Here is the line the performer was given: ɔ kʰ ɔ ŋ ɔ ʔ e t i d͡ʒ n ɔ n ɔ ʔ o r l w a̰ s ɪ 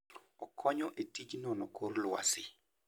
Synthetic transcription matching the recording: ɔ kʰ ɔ ɲ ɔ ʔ e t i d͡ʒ n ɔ n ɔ k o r l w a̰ s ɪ

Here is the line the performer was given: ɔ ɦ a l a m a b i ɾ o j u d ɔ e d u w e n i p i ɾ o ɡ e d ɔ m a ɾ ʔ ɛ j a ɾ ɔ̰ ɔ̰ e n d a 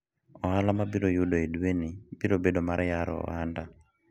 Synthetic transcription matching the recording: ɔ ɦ a l a m a b i ɾ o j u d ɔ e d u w e n i b i ɾ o b e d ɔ m a ɾ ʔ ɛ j a ɾ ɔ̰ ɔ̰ a n d a

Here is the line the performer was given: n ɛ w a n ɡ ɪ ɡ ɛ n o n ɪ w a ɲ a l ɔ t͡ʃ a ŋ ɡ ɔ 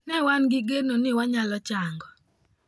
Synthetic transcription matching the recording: n ɛ w a n ɡ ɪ ɡ e n o n ɪ w a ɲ a l ɔ t͡ʃ a ŋ ɡ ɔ

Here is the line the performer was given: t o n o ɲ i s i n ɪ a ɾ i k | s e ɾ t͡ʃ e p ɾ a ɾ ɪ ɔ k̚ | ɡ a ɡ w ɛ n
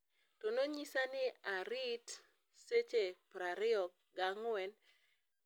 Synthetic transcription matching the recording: t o n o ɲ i s a n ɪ a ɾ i t | s e t͡ʃ e p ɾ a ɾ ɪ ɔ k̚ | ɡ a ŋ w ɛ n

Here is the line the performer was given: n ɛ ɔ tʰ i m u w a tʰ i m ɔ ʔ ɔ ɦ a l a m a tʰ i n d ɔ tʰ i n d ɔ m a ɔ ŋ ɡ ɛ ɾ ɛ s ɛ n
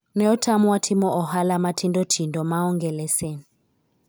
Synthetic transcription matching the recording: n ɛ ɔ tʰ a m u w a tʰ i m ɔ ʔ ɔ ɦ a l a m a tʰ i n d ɔ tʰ i n d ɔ m a ɔ ŋ ɡ ɛ l ɛ s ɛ n

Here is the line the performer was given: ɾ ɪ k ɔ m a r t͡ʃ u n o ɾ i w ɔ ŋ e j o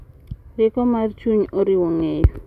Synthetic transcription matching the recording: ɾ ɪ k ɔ m a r t͡ʃ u ɲ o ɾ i w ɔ ŋ e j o

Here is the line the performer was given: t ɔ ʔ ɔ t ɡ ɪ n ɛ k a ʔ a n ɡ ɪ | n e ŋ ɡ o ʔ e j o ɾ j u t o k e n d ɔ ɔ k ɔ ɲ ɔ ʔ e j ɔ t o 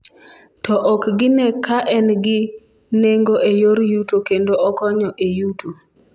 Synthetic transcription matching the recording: t ɔ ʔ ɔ k ɡ ɪ n ɛ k a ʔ ɛ n ɡ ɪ | n e ŋ ɡ o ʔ e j o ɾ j u t o k e n d o ɔ k ɔ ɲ ɔ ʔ e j u t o

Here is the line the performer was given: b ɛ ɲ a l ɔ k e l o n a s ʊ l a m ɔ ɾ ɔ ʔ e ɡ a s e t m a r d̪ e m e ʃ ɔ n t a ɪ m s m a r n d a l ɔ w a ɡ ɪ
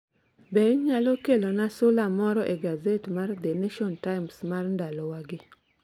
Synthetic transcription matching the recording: b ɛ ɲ a l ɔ k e l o n a s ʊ l a m ɔ ɾ ɔ ʔ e ɡ a z e t m a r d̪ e n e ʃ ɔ n t a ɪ m s m a r n d a l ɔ w a ɡ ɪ

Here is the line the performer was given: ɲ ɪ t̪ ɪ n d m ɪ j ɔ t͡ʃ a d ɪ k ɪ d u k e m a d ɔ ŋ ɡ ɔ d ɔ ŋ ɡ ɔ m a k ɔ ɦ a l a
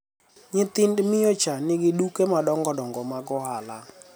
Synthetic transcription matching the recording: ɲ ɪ t̪ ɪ n d m ɪ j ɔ t͡ʃ a n ɪ ɡ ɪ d u k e m a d ɔ ŋ ɡ ɔ d ɔ ŋ ɡ ɔ m a ɡ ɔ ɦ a l a

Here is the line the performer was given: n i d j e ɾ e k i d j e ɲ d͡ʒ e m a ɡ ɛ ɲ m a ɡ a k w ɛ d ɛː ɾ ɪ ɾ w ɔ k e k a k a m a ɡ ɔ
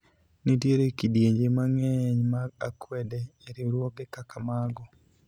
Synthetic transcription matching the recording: n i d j e ɾ e k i d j e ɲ d͡ʒ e m a ŋ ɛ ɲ m a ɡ a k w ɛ d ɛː ɾ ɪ ɾ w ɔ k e k a k a m a ɡ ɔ

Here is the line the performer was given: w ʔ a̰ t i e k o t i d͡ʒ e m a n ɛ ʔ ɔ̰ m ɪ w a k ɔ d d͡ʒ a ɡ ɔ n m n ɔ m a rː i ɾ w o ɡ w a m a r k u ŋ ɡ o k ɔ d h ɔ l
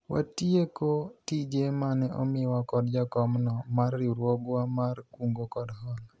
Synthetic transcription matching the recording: w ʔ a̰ t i e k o t i d͡ʒ e m a n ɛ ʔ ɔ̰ m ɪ w a k ɔ d d͡ʒ a k ɔ m n ɔ m a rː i ɾ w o ɡ w a m a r k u ŋ ɡ o k ɔ d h ɔ l

